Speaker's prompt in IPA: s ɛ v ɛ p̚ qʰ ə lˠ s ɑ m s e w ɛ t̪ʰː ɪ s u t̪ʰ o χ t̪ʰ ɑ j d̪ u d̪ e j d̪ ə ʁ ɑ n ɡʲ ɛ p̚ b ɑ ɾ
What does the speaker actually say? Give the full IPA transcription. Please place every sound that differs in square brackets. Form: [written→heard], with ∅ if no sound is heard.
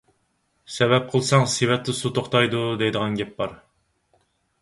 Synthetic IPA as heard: s ɛ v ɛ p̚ qʰ ə lˠ s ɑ [m→ŋ] s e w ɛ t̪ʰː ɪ s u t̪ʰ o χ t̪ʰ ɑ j d̪ u d̪ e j d̪ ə ʁ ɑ n ɡʲ ɛ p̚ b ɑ ɾ

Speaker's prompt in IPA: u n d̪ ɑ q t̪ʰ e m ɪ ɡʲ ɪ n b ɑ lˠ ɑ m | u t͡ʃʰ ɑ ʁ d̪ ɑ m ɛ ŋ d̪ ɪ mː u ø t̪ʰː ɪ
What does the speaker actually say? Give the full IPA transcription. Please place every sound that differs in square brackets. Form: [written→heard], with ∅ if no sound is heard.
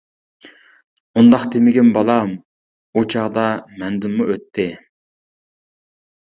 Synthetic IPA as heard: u n d̪ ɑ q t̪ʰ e m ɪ ɡʲ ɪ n b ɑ lˠ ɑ m | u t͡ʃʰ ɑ ʁ d̪ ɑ m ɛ [ŋ→n] d̪ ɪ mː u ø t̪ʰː ɪ

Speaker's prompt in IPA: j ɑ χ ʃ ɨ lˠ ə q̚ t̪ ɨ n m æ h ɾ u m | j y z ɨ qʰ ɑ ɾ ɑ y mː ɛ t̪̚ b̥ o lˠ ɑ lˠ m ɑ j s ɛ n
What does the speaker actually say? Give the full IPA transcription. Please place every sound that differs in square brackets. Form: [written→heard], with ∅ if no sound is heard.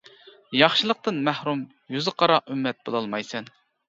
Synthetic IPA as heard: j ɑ χ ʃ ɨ lˠ ə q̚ t̪ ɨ n m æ h ɾ u m | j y z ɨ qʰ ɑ ɾ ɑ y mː ɛ t̪̚ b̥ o lˠ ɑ lˠ m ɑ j s ɛ n

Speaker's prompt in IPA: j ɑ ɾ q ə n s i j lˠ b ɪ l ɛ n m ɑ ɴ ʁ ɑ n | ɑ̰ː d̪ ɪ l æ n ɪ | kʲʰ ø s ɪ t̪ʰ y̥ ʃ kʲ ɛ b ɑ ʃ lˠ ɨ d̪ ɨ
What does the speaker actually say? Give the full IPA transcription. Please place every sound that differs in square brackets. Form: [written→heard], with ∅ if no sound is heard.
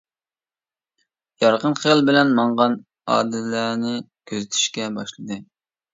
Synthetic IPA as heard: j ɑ ɾ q ə n [s→χ] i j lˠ b ɪ l ɛ n m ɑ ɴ ʁ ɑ n | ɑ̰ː d̪ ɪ l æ n ɪ | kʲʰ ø [s→z] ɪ t̪ʰ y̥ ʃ kʲ ɛ b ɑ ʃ lˠ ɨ d̪ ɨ

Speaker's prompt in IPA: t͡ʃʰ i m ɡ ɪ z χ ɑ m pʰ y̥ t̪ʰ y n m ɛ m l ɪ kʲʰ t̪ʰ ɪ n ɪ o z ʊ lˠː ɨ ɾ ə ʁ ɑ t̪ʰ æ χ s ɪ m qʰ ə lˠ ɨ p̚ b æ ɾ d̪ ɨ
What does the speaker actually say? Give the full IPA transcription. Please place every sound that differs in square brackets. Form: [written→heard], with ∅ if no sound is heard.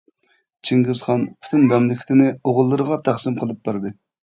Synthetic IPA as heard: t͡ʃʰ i [m→ŋ] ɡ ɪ z χ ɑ [m→n] pʰ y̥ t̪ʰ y n m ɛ m l ɪ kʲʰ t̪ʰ ɪ n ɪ o [z→ʁ] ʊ lˠː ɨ ɾ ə ʁ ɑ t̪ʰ æ χ s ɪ m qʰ ə lˠ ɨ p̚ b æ ɾ d̪ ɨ

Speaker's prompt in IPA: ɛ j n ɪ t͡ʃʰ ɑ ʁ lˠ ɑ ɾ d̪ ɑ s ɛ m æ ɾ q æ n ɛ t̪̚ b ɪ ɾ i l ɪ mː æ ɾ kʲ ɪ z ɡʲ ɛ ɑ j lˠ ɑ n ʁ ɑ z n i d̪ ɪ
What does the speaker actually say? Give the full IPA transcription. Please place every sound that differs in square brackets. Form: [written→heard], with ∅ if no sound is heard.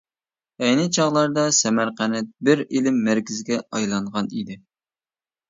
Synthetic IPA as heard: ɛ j n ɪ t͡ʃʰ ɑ ʁ lˠ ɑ ɾ d̪ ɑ s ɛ m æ ɾ q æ n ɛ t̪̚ b ɪ ɾ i l ɪ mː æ ɾ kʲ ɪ z ɡʲ ɛ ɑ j lˠ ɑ [n→ɴ] ʁ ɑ [z→∅] n i d̪ ɪ

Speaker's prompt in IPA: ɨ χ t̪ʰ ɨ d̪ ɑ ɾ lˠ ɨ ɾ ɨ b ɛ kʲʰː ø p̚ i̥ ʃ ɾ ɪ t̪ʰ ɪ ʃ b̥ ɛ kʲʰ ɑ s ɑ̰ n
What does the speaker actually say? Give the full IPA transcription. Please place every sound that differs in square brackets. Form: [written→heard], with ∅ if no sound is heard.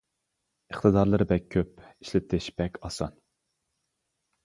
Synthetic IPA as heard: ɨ χ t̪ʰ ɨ d̪ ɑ ɾ lˠ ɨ ɾ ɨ b ɛ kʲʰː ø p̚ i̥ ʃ [ɾ→l] ɪ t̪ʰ ɪ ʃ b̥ ɛ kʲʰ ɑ s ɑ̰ n

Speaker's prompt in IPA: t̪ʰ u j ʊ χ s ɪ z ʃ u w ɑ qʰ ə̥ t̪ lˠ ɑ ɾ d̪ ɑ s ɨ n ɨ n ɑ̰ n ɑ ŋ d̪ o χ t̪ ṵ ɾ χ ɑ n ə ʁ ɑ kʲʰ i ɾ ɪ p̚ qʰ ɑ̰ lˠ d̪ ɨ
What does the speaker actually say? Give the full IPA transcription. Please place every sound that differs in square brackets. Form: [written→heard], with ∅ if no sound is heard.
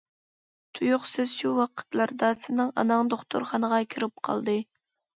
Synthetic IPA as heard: t̪ʰ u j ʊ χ s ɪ z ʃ u w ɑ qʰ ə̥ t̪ lˠ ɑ ɾ d̪ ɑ s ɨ n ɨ [n→ŋ] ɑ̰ n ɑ ŋ d̪ o χ t̪ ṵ ɾ χ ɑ n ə ʁ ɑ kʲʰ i ɾ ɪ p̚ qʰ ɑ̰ lˠ d̪ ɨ

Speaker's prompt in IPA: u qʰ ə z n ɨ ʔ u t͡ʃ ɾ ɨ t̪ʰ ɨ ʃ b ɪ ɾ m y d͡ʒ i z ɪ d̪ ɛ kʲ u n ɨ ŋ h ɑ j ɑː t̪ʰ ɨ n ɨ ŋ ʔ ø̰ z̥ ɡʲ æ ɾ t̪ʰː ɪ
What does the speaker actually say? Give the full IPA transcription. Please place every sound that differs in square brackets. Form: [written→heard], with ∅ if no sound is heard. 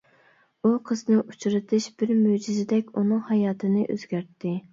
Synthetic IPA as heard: u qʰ ə z n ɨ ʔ u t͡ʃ ɾ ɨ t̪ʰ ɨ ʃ b ɪ ɾ m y d͡ʒ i z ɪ d̪ ɛ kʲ u n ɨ ŋ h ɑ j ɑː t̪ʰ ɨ n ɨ [ŋ→∅] ʔ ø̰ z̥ ɡʲ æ ɾ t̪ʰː ɪ

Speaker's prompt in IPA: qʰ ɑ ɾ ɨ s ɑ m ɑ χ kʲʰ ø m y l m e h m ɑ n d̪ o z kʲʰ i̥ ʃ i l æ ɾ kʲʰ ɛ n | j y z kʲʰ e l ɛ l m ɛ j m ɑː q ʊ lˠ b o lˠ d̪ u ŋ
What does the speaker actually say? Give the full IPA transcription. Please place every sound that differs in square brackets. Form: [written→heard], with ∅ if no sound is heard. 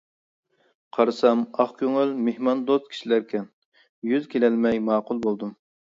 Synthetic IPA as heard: qʰ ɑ ɾ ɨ s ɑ m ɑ χ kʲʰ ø [m→ŋ] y l m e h m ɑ n d̪ o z kʲʰ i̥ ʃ i l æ ɾ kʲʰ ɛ n | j y z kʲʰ e l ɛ l m ɛ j m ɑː q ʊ lˠ b o lˠ d̪ u [ŋ→m]

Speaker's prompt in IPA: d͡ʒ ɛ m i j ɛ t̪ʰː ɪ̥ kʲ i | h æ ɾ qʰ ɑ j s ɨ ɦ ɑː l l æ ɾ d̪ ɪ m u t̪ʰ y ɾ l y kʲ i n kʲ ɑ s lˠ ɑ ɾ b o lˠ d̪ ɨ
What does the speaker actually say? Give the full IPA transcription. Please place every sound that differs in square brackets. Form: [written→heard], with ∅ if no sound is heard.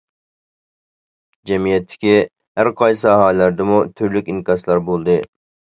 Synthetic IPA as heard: d͡ʒ ɛ m i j ɛ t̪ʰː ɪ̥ kʲ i | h æ ɾ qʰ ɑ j s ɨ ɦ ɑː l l æ ɾ d̪ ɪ m u t̪ʰ y ɾ l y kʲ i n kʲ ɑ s lˠ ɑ ɾ b o lˠ d̪ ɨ

